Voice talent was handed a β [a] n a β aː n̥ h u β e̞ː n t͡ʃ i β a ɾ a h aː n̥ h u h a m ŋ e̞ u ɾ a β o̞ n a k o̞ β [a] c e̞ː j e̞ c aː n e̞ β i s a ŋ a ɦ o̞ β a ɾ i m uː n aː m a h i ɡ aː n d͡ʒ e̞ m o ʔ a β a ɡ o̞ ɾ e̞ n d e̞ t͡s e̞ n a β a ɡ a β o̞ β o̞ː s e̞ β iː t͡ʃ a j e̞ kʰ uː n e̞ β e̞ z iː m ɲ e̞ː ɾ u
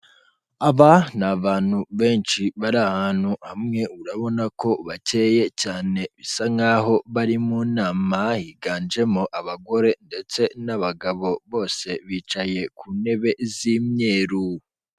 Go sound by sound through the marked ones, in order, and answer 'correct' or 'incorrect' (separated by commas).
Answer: correct, correct